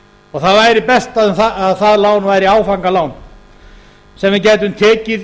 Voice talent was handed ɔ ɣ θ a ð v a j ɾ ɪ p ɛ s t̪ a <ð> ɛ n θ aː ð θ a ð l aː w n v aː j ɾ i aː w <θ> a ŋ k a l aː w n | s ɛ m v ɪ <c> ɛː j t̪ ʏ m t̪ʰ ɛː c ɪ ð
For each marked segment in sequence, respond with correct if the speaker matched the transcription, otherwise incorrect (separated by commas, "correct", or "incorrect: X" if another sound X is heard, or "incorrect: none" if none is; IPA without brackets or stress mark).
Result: correct, incorrect: f, correct